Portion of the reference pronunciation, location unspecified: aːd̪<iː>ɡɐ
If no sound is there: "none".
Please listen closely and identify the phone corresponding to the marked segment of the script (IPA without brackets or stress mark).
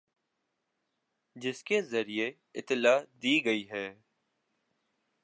iː